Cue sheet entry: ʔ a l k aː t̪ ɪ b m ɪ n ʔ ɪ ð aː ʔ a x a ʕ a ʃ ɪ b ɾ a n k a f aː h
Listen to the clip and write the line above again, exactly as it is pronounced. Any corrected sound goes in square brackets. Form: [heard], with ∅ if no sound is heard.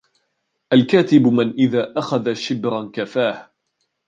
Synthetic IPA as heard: ʔ a l k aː t̪ ɪ b m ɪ n ʔ ɪ ð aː ʔ a x a [ð] a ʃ ɪ b ɾ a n k a f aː h